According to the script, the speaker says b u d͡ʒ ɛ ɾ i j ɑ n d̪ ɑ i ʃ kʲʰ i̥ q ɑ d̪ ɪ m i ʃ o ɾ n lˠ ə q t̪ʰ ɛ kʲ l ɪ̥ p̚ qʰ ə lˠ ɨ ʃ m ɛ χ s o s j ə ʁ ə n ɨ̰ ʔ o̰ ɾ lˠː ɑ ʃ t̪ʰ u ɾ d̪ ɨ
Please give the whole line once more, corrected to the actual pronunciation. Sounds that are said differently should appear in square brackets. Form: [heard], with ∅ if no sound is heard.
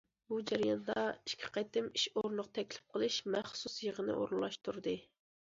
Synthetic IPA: b u d͡ʒ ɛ ɾ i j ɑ n d̪ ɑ i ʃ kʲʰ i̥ q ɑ [t̪] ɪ m i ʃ o ɾ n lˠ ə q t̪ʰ ɛ kʲ l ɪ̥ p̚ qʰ ə lˠ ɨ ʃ m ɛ χ s [u] s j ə ʁ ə n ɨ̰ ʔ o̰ ɾ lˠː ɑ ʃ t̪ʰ u ɾ d̪ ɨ